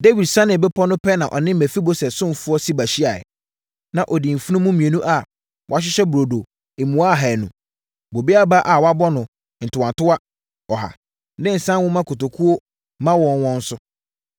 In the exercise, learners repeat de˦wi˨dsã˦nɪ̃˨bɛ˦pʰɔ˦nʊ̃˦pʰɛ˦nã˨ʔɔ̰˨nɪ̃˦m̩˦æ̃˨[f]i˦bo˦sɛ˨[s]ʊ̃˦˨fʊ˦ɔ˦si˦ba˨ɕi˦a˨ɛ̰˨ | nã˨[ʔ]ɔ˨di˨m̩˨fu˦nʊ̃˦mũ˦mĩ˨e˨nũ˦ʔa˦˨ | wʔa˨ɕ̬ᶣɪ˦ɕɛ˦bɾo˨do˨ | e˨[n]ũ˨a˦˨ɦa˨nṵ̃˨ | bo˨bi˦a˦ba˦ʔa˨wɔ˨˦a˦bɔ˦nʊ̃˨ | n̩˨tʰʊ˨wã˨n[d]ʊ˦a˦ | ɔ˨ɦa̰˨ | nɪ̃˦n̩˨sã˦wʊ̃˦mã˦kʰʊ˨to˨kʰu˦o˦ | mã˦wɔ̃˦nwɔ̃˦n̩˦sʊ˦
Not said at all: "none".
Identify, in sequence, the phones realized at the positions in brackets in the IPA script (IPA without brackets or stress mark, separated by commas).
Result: f, s, ʔ, m, t